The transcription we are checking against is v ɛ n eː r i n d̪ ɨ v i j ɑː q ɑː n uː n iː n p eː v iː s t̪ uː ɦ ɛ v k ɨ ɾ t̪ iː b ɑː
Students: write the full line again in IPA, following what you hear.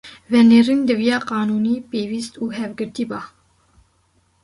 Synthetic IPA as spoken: v ɛ n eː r i n d̪ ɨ v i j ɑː q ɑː n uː n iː p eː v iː s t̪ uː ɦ ɛ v ɡ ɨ ɾ t̪ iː b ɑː